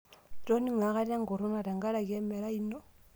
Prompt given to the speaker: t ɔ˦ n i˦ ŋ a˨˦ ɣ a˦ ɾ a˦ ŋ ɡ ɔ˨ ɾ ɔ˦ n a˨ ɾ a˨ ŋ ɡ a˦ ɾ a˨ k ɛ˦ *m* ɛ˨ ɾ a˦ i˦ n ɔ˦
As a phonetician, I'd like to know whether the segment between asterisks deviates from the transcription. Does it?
no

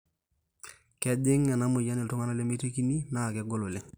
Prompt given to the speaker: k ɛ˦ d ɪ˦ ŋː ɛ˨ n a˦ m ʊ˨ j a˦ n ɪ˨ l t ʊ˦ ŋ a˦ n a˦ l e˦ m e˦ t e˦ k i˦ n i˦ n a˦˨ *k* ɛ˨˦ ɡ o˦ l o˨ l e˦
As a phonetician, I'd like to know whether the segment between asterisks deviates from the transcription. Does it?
no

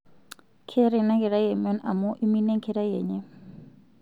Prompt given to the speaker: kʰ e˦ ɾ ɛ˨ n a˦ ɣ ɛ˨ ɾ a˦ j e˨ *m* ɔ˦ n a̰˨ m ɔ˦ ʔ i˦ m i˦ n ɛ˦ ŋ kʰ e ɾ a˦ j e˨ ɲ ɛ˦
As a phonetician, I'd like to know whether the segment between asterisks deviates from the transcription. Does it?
no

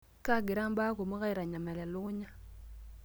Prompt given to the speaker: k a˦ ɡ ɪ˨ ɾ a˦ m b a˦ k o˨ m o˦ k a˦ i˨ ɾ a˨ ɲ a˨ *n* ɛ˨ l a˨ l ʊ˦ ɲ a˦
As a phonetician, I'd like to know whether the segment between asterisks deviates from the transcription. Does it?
yes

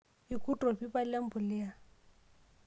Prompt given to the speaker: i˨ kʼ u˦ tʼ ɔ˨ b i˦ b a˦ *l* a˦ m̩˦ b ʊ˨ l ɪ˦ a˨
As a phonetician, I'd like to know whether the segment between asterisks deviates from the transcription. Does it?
no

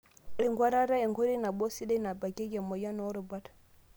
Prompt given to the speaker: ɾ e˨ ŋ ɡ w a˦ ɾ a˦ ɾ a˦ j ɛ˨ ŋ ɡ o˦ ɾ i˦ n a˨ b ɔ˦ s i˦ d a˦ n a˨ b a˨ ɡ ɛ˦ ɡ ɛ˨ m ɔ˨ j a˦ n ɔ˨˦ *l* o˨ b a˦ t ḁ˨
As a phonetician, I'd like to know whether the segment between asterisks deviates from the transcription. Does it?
yes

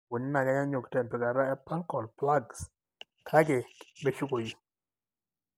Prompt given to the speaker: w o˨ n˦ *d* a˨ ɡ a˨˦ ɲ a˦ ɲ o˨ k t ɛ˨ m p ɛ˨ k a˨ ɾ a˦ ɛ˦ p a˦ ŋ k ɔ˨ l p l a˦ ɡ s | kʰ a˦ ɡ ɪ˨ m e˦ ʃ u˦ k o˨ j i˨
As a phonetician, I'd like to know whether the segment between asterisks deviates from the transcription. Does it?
yes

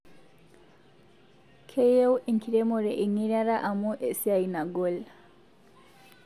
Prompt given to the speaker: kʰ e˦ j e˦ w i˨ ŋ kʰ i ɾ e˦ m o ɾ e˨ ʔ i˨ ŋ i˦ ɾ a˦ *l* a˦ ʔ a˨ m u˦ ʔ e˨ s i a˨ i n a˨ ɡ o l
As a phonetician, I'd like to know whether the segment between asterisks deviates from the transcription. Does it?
yes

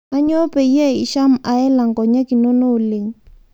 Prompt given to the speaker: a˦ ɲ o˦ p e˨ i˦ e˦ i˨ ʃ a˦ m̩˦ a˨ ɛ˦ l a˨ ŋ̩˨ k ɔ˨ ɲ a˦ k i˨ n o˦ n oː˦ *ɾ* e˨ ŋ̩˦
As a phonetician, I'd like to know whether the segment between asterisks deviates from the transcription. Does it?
yes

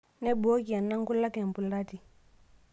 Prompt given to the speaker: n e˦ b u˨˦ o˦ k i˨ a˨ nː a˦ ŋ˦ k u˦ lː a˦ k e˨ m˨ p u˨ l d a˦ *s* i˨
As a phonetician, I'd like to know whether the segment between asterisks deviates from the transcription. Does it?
yes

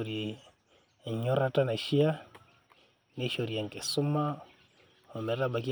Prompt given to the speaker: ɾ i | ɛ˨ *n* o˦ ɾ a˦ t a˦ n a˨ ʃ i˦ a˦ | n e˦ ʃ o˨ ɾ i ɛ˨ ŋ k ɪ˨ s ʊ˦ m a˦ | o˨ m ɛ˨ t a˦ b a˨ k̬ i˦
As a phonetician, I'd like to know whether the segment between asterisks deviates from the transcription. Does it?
yes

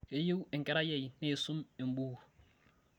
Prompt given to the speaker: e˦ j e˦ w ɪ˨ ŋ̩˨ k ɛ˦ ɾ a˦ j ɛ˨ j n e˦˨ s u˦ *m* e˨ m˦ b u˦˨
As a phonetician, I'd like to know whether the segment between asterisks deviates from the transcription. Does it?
no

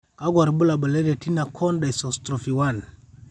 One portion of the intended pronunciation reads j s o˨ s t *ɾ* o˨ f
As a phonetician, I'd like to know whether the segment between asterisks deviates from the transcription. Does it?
no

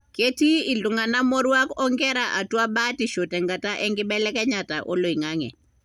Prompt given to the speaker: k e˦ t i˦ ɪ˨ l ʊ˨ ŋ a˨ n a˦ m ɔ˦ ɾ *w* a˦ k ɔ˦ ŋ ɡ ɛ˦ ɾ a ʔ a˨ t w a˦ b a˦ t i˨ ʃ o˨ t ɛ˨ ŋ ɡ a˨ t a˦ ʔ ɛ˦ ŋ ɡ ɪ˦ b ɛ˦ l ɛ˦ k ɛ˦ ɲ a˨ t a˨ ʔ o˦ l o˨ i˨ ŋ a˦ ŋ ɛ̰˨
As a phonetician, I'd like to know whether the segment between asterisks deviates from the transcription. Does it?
no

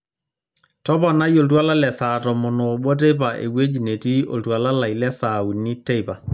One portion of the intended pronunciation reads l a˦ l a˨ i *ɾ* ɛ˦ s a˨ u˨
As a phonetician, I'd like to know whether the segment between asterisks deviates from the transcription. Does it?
yes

